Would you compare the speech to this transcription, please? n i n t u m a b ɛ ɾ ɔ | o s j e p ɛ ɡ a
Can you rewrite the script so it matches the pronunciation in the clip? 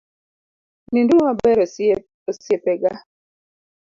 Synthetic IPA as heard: n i n d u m a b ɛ ɾ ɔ | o s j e p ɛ ɡ a